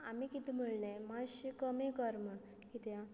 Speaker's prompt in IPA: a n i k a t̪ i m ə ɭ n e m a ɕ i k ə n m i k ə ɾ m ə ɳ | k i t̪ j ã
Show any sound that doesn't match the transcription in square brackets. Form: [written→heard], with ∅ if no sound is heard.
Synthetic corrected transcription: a [n→m] i k [a→i] t̪ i m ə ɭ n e m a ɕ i k ə [n→∅] m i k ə ɾ m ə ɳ | k i t̪ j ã